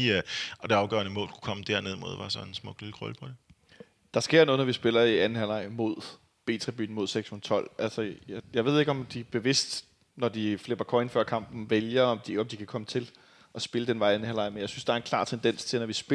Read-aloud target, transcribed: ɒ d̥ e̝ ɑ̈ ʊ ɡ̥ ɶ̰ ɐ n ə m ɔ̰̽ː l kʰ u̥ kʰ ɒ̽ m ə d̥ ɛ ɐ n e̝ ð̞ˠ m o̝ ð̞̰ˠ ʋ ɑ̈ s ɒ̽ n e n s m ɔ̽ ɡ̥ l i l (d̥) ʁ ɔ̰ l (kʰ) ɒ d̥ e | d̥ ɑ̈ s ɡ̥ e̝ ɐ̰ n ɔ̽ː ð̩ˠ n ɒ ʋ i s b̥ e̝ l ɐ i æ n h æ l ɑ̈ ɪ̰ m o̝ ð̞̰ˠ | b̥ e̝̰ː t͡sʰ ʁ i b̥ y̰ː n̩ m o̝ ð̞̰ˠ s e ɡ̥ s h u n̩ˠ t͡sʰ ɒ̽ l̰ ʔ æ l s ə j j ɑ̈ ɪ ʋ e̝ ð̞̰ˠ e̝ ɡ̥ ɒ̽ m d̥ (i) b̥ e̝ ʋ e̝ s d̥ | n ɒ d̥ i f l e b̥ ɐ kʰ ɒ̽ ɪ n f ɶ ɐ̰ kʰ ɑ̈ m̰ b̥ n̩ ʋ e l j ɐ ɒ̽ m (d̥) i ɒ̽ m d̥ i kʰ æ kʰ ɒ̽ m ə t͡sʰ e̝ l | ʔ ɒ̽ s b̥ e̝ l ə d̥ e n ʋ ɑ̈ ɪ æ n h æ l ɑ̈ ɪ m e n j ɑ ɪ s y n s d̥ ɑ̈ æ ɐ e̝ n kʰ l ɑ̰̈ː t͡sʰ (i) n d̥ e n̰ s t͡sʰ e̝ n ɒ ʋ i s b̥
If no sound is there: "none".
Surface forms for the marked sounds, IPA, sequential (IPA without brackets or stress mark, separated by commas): ɡ̥, pʰ, i, d̥, e